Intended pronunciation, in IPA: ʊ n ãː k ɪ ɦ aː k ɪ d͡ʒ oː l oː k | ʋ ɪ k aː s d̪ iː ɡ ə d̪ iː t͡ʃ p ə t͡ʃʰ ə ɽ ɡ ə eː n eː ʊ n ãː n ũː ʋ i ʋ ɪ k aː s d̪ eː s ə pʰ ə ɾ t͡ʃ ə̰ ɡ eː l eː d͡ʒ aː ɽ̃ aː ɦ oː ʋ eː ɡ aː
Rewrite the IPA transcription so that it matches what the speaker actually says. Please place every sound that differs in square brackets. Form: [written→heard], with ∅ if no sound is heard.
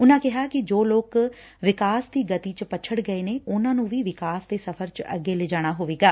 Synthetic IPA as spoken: ʊ n ãː k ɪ ɦ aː k ɪ d͡ʒ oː l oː k | ʋ ɪ k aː s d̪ iː ɡ ə [d̪→t̪] iː t͡ʃ p ə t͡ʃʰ ə ɽ ɡ ə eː n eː ʊ n ãː n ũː ʋ [i→iː] ʋ ɪ k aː s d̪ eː s ə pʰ ə ɾ t͡ʃ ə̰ ɡ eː l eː d͡ʒ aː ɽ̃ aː ɦ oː ʋ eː ɡ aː